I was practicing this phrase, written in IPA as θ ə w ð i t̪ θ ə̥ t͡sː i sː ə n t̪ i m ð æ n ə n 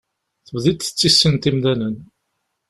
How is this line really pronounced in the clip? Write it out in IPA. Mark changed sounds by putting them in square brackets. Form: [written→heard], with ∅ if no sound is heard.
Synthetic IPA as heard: θ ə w ð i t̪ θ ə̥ t͡sː i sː ə n t̪ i m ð æ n ə n